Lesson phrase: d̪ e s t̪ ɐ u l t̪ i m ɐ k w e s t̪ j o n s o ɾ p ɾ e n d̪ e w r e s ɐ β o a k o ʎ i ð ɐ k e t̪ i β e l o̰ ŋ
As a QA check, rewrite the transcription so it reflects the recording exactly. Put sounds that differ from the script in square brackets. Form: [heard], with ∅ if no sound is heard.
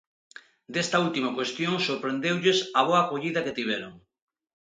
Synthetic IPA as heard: d̪ e s t̪ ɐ u l t̪ i m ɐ k w e s t̪ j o [ŋ] s o ɾ p ɾ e n d̪ e w [ʎ] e s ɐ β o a k o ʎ i ð ɐ k e t̪ i β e [ɾ] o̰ ŋ